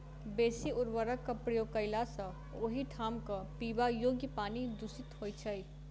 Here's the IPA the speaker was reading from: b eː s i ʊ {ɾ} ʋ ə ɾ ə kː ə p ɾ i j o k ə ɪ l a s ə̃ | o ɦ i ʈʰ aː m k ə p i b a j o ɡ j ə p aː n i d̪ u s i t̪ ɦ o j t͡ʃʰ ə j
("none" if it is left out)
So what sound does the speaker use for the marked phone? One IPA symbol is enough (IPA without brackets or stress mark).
ɾ